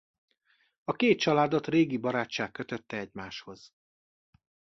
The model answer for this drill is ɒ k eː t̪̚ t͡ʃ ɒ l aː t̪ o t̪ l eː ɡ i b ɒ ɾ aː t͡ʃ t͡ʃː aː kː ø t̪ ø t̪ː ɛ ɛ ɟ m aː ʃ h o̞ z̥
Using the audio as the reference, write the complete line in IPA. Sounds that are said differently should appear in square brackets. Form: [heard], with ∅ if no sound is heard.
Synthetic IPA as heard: ɒ k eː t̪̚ t͡ʃ ɒ l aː [d̪] o t̪ [r] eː ɡ i b ɒ ɾ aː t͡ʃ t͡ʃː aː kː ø t̪ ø t̪ː ɛ ɛ ɟ m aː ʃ h o̞ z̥